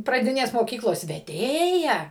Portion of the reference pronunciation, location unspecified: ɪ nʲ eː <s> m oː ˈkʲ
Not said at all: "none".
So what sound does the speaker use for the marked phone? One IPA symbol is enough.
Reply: s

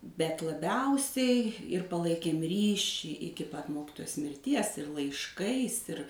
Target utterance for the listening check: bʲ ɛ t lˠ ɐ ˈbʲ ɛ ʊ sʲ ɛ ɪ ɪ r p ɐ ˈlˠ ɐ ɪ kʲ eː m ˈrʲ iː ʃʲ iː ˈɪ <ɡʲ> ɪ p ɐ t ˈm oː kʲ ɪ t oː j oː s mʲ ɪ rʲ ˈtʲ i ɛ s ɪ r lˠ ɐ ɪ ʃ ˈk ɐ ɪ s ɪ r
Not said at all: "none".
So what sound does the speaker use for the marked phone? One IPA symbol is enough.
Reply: kʲ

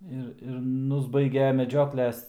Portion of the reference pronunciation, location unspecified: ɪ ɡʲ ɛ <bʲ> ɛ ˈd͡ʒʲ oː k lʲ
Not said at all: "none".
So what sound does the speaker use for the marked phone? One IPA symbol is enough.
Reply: mʲ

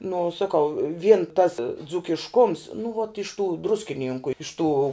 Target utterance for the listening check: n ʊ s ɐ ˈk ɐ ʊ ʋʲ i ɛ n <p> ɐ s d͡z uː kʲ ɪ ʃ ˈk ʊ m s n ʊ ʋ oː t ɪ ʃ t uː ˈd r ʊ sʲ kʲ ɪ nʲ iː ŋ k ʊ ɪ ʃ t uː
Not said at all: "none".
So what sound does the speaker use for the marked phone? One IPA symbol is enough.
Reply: t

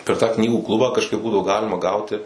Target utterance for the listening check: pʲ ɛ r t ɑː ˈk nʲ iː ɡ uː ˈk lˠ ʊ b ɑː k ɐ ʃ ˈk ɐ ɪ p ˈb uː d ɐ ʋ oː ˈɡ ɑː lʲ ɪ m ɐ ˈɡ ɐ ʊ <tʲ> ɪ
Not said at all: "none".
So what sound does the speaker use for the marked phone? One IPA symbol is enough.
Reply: tʲ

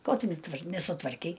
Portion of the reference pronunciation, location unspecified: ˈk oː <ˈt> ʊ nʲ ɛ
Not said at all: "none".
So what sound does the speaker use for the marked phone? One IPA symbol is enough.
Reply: t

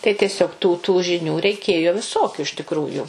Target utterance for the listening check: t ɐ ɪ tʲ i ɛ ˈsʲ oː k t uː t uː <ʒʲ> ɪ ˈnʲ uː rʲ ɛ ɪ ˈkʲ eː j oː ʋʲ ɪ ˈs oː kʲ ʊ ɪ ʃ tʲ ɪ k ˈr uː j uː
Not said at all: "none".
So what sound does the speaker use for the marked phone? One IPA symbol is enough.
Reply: ʒʲ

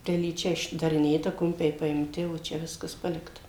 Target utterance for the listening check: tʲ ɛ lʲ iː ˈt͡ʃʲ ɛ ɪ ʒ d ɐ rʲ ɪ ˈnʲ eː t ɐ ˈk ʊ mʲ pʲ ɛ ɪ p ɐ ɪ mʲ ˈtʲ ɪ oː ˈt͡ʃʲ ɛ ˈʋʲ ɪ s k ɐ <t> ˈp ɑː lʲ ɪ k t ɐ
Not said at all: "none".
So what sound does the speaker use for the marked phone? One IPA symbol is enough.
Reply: s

